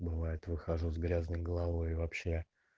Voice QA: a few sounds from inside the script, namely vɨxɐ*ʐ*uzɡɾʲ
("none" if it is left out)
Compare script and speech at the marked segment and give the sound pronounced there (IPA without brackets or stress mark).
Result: ʐ